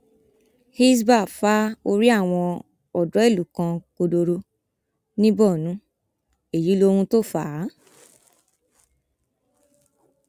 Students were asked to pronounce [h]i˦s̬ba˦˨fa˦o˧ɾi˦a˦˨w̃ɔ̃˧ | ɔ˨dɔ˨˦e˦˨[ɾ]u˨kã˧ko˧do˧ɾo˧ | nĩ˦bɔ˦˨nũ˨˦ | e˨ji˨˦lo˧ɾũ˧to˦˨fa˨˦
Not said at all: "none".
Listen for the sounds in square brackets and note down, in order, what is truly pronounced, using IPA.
h, l

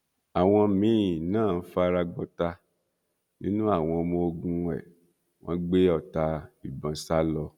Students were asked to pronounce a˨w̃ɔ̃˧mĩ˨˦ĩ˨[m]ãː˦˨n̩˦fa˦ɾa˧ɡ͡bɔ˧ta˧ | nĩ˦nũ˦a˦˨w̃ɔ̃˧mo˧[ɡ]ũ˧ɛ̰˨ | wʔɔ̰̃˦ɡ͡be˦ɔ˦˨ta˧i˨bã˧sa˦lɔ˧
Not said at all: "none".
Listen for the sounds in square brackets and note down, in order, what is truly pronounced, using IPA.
n, ɡ

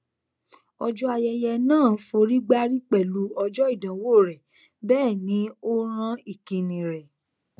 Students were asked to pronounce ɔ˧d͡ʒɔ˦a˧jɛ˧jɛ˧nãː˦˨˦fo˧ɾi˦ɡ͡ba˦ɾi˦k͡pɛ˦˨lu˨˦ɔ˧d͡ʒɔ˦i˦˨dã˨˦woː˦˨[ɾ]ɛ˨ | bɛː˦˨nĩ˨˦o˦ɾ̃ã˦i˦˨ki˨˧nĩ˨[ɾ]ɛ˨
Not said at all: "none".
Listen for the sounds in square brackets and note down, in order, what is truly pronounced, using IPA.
ɾ, ɾ

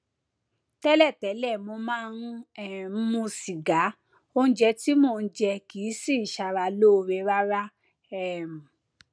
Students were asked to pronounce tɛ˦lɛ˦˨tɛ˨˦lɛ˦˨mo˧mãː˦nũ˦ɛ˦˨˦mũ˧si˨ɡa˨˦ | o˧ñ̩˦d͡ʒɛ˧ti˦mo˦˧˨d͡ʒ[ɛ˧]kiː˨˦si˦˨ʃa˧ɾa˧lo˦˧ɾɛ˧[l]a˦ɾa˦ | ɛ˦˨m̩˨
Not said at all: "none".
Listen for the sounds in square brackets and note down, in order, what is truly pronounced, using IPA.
ɛ˧, ɾ

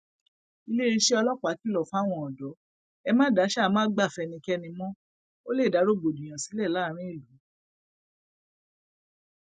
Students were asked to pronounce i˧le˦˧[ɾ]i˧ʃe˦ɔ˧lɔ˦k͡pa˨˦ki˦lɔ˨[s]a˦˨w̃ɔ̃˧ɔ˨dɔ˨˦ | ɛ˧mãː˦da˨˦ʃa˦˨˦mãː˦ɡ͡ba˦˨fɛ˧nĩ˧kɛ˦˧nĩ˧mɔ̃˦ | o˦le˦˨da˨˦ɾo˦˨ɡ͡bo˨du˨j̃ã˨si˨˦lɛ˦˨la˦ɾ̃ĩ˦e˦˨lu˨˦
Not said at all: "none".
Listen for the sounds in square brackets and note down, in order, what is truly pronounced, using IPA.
ɾ, f

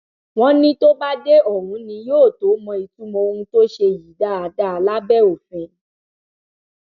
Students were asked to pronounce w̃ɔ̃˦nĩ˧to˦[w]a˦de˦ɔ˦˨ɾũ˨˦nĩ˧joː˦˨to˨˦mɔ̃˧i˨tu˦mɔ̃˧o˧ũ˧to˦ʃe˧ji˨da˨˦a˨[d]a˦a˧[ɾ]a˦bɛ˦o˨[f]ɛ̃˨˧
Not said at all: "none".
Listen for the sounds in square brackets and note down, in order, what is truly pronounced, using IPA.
b, d, l, f

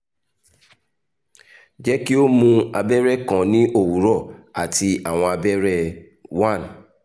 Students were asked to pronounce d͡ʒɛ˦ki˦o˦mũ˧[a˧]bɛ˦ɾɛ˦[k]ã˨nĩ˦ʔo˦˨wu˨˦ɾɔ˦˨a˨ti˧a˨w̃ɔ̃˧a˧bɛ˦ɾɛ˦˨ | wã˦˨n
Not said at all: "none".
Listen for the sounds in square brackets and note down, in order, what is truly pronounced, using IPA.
a˧, k

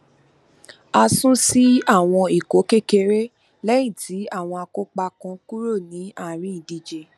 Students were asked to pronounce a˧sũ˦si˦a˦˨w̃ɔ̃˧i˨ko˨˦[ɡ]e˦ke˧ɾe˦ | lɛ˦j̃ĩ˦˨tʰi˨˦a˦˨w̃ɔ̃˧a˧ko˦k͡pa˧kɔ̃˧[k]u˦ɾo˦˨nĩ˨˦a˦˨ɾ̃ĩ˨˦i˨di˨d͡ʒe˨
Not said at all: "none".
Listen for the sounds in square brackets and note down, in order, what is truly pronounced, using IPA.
k, k

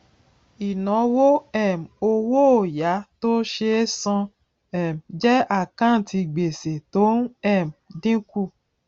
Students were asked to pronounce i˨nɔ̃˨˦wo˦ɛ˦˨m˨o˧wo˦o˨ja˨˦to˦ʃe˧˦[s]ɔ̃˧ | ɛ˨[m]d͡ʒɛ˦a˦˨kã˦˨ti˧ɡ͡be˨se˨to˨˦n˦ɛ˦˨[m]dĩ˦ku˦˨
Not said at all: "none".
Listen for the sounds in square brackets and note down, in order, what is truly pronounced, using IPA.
s, m, m

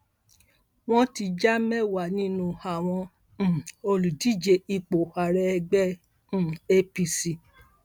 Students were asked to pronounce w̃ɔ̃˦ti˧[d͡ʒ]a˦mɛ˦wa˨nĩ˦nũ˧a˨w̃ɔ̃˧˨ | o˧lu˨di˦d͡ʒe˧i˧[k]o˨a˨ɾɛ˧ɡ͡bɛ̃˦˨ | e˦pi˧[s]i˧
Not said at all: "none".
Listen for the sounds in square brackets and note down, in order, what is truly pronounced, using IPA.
d͡ʒ, k͡p, s

